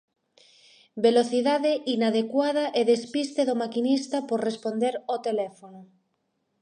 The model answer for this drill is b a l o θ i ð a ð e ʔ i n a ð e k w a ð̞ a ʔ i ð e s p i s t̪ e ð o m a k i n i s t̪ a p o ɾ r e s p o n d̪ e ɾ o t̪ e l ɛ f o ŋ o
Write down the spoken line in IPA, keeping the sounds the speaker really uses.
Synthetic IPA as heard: b e l o θ i ð a ð e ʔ i n a ð e k w a ð̞ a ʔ e ð e s p i s t̪ e ð o m a k i n i s t̪ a p o ɾ r e s p o n d̪ e ɾ o t̪ e l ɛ f o n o